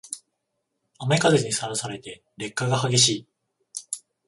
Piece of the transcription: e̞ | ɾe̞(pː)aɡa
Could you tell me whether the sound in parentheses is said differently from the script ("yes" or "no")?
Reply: yes